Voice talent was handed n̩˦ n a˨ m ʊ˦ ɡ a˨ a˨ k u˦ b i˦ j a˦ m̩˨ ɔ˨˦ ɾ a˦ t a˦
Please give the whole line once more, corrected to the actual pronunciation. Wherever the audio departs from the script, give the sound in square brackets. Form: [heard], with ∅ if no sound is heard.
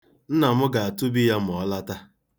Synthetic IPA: n̩˦ n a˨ m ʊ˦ ɡ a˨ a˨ [t] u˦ b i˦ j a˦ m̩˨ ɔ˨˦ [l] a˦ t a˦

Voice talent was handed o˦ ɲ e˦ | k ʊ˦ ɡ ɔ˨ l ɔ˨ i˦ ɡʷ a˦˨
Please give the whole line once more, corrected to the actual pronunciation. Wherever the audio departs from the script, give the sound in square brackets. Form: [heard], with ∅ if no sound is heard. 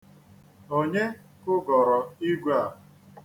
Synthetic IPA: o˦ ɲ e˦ | k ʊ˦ ɡ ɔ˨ [ɾ] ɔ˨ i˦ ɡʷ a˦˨

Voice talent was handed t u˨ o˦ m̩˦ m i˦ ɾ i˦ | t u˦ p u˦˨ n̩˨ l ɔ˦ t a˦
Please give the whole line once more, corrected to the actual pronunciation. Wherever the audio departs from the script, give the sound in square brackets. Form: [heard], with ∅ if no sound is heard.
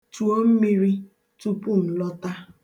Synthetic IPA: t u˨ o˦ m̩˦ m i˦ ɾ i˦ | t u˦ p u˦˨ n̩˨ l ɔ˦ t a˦

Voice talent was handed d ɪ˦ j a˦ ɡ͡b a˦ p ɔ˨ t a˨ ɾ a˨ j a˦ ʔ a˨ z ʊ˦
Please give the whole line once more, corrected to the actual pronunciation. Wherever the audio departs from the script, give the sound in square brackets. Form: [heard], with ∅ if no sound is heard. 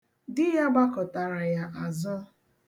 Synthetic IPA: d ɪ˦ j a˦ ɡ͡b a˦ [k] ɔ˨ t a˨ ɾ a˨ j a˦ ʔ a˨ z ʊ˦

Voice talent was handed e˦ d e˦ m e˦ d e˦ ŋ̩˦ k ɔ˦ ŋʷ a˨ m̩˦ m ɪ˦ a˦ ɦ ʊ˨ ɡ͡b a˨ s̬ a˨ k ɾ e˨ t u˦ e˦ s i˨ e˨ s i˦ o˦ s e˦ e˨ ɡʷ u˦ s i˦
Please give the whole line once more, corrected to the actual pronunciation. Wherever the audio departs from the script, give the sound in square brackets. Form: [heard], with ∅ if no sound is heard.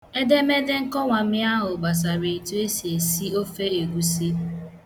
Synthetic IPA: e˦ d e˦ m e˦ d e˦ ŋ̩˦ k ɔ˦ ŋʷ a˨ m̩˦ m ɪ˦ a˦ ɦ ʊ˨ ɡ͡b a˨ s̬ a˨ [∅] ɾ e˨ t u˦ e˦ s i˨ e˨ s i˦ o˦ [f] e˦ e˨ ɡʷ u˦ s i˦

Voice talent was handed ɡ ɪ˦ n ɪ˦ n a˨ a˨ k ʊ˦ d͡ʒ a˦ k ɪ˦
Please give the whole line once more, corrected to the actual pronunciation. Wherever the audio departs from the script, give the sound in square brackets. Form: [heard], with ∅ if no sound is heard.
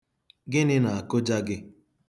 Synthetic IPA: ɡ ɪ˦ n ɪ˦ n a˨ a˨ k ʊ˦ d͡ʒ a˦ [ɡ] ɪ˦

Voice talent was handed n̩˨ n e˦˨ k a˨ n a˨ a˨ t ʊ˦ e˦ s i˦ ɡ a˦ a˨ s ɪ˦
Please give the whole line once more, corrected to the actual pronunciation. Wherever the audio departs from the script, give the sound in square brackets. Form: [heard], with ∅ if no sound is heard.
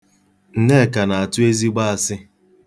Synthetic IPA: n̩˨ n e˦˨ k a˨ n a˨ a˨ t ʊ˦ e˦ [z] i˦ [ɡ͡b] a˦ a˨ s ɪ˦

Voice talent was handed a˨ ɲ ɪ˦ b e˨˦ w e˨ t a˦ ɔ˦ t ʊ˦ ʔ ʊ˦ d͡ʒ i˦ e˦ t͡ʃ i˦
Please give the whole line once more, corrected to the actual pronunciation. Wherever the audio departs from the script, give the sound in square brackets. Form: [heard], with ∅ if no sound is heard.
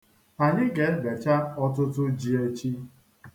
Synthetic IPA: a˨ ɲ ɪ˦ [ɡ] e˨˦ [b] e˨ [t͡ʃ] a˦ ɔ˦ t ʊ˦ [t] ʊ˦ d͡ʒ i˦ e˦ t͡ʃ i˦

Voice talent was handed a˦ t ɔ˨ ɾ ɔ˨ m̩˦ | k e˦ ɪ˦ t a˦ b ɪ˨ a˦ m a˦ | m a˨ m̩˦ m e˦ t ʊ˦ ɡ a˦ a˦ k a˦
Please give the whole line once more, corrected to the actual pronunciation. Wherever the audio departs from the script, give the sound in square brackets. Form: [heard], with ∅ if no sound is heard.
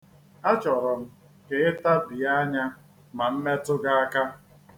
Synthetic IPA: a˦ [t͡ʃ] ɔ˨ ɾ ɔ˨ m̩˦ | k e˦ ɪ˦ t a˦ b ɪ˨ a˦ [ɲ] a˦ | m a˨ m̩˦ m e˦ t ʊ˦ ɡ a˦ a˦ k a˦

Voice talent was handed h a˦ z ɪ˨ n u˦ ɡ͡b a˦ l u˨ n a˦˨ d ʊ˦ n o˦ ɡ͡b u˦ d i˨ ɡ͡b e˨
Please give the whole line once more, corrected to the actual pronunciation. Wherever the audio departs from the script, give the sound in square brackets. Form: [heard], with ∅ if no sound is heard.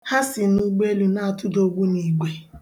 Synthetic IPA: h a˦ [s] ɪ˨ n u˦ ɡ͡b [e˦] l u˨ n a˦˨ [t] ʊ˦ [d] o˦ ɡ͡b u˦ [n] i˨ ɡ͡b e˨

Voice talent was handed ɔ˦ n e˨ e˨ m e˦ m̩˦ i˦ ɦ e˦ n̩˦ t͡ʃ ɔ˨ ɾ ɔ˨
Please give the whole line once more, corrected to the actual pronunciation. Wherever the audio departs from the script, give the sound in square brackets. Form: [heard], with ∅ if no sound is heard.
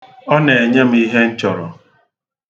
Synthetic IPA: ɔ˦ n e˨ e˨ [ɲ] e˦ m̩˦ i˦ ɦ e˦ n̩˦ t͡ʃ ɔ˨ ɾ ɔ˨

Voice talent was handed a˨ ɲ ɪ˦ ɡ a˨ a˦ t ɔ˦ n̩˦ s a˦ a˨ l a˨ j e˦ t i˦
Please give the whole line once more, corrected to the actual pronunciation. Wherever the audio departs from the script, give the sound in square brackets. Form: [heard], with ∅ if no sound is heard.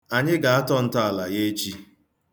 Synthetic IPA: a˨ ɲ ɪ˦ ɡ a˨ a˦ t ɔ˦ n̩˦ [t] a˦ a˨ l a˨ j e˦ [t͡ʃ] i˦

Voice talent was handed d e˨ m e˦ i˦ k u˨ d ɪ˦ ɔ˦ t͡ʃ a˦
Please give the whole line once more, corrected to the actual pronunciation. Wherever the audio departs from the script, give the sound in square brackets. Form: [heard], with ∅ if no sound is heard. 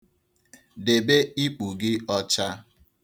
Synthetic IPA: d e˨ [b] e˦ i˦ [k͡p] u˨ [ɡ] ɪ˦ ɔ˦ t͡ʃ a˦

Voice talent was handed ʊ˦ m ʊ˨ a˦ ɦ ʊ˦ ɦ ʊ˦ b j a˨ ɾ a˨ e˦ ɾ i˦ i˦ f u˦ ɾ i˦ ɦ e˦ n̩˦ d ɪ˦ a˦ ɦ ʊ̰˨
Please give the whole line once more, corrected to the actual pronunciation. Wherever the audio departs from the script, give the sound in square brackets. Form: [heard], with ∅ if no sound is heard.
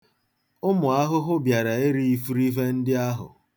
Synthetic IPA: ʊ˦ m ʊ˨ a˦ ɦ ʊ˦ ɦ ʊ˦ b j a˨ ɾ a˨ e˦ ɾ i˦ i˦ f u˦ ɾ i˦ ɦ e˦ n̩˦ d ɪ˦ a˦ ɦ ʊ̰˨

